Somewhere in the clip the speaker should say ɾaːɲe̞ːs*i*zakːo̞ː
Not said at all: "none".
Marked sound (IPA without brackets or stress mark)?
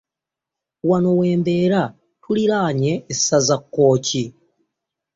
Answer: a